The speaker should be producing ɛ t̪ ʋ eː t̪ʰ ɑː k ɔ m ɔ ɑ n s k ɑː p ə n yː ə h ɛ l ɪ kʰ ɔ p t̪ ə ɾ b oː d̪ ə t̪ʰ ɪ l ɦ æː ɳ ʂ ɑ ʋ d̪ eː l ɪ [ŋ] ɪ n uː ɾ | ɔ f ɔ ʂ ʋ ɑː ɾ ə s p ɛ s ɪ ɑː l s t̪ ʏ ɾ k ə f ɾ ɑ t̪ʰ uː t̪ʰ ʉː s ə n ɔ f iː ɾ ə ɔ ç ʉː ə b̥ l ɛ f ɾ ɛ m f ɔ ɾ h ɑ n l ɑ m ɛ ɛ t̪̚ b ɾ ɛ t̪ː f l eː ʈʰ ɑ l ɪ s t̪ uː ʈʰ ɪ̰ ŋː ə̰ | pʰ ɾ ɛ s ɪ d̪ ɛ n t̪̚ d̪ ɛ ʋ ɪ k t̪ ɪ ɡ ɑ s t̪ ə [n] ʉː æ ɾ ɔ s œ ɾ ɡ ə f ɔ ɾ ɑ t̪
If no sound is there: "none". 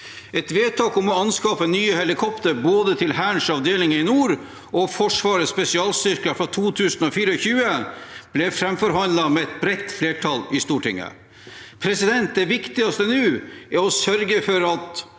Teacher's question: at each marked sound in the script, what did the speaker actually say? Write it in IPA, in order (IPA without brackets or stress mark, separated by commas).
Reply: ŋ, n